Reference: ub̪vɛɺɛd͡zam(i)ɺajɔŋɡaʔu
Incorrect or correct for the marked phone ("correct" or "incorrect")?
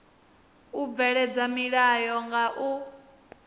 correct